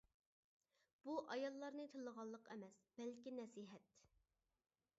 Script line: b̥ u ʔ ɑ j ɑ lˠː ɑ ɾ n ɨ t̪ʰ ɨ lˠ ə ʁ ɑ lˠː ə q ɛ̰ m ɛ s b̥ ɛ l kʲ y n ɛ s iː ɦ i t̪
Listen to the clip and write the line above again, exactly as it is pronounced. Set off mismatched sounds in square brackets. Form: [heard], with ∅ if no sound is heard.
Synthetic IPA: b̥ u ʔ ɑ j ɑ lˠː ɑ ɾ n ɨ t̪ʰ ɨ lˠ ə ʁ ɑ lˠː ə q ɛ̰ m ɛ s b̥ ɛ l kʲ [i] n ɛ s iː ɦ [ɛ] t̪